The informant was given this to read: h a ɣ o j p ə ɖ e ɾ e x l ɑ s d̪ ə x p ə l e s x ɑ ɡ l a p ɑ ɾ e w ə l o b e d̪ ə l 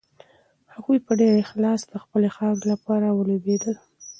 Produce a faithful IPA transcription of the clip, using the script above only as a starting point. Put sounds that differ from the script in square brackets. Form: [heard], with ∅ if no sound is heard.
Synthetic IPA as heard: h a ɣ [u] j p ə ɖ e ɾ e x l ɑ s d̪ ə x p ə l e [∅] x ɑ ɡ l a p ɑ ɾ [a] w ə l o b e d̪ ə l